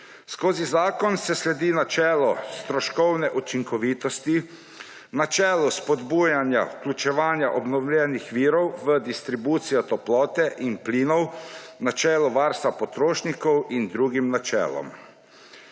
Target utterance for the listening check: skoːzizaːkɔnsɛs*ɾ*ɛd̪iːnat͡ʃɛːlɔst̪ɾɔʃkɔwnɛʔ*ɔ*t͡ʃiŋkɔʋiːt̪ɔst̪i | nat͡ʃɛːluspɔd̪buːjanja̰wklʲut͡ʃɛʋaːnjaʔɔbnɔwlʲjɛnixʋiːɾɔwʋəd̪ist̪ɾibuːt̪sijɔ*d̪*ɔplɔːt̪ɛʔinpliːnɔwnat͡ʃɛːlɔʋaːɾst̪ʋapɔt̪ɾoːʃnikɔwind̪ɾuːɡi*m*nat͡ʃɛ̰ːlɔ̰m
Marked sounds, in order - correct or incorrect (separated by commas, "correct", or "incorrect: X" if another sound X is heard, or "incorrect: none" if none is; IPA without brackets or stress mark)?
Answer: incorrect: l, incorrect: u, incorrect: t̪, correct